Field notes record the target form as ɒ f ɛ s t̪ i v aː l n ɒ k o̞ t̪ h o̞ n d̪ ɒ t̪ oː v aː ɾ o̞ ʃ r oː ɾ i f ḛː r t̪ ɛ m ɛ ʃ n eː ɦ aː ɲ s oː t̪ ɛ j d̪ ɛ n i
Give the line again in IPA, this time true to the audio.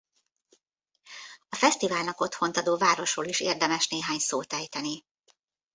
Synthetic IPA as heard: ɒ f ɛ s t̪ i v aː l n ɒ k o̞ t̪ h o̞ n t̪ ɒ d̪ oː v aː ɾ o̞ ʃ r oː l i ʃ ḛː r d̪ ɛ m ɛ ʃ n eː ɦ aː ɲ s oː t̪ ɛ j t̪ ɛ n i